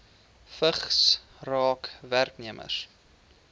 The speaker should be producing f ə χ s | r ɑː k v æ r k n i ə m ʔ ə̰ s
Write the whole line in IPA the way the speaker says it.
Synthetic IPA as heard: f ə χ s | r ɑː k v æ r k n i ə m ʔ ə̰ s